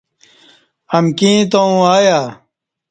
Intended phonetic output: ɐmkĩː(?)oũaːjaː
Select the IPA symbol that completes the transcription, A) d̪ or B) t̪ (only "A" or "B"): B